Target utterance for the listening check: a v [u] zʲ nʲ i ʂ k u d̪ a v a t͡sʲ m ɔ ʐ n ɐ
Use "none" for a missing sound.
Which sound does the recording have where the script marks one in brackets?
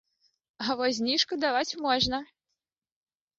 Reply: ɔ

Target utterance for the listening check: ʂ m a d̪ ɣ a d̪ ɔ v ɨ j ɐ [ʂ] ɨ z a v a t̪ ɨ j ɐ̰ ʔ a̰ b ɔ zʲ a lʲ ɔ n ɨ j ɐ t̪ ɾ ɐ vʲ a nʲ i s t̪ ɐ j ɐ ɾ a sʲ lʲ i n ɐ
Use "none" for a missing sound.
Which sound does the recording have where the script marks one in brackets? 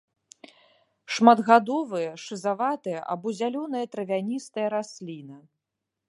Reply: ʂ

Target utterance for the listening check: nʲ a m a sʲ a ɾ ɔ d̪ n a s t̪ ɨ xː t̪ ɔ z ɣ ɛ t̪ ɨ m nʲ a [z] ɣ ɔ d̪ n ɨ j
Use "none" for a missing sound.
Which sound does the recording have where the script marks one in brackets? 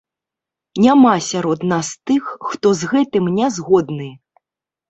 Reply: z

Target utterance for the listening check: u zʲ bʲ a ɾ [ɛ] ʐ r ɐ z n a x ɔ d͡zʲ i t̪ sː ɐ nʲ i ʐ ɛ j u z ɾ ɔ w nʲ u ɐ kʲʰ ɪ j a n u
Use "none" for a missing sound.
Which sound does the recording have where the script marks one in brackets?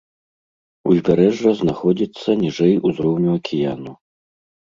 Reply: ɛ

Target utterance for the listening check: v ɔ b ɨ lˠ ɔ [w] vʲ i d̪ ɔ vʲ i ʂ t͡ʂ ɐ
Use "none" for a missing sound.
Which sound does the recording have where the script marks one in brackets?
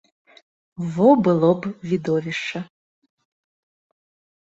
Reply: b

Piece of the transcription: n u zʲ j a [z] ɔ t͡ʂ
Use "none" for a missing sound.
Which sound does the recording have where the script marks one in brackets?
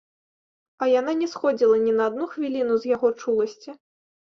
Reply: ɣ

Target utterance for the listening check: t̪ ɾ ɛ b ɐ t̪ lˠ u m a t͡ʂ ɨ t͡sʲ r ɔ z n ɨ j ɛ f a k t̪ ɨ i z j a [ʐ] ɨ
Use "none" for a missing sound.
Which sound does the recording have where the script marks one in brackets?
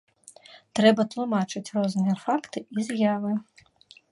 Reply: v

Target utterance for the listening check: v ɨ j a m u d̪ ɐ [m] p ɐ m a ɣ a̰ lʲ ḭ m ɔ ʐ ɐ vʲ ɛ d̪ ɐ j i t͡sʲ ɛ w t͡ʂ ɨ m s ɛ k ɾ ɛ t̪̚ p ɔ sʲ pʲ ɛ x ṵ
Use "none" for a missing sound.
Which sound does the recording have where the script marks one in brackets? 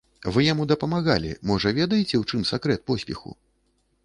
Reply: none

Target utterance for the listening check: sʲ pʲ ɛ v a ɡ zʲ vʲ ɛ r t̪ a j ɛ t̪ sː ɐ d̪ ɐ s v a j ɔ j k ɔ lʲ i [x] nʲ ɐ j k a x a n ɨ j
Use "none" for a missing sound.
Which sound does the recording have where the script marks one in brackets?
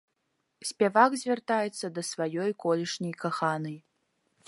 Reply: ʂ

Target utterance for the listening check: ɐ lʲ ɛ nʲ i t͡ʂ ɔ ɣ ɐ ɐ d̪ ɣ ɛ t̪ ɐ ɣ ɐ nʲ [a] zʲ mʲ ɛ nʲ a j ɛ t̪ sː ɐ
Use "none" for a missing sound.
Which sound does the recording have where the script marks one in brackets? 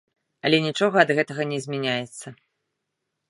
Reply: ɛ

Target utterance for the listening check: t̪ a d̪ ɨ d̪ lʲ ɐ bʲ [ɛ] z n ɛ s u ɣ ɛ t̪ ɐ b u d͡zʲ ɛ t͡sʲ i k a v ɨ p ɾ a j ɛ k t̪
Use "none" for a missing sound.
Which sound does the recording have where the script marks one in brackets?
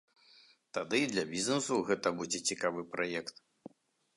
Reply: i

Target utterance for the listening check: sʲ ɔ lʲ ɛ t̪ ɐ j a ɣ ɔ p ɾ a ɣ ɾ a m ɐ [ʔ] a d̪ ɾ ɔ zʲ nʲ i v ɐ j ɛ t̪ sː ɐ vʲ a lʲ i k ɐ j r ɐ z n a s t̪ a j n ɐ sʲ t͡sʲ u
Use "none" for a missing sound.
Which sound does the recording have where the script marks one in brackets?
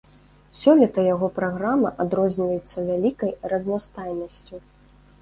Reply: ʔ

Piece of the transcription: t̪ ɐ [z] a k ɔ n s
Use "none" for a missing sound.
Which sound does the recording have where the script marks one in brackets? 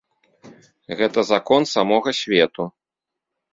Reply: z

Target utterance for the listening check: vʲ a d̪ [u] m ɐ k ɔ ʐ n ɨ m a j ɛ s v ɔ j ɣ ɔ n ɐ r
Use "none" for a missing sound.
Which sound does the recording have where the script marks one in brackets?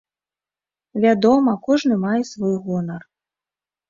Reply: ɔ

